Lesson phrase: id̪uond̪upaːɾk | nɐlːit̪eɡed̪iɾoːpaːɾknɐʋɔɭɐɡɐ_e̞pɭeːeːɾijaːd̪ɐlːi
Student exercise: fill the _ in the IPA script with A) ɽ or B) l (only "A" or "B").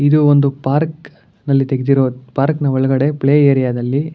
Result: A